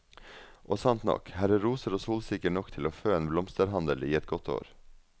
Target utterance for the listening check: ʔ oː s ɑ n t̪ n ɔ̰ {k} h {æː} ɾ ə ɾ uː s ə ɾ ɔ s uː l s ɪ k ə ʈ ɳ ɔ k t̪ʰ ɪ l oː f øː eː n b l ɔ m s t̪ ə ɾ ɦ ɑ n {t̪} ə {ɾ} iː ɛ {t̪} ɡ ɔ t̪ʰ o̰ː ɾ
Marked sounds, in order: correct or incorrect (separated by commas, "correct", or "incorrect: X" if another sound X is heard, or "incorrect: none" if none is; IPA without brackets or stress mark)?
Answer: correct, incorrect: æ, incorrect: d̪, incorrect: l, correct